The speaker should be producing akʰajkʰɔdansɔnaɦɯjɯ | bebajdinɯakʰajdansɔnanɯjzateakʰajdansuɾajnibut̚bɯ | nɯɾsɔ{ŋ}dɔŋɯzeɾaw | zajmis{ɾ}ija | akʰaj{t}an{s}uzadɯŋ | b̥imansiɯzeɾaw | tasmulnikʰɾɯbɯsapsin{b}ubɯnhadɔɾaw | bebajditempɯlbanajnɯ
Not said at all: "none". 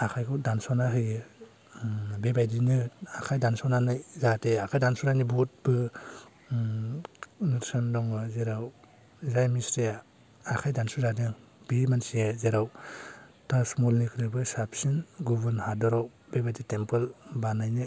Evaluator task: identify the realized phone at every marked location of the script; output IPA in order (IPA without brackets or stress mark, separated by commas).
n, ɾ, d, s, ɡ